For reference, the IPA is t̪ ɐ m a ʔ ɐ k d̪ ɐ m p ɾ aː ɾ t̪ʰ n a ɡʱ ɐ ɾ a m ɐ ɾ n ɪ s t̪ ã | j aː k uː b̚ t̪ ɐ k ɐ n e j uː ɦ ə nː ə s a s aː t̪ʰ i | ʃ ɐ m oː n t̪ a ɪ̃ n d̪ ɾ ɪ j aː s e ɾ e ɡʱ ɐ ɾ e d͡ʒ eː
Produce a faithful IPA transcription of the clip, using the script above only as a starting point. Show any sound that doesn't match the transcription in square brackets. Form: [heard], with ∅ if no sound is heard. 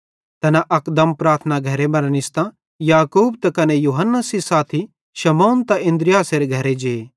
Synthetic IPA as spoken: t̪ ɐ [n] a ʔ ɐ k d̪ ɐ m p ɾ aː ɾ t̪ʰ n a ɡʱ ɐ ɾ [e] m ɐ ɾ n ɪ s t̪ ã | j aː k uː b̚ t̪ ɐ k ɐ n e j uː ɦ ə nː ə s [i] s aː t̪ʰ i | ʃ ɐ m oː n t̪ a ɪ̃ n d̪ ɾ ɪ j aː s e ɾ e ɡʱ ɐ ɾ e d͡ʒ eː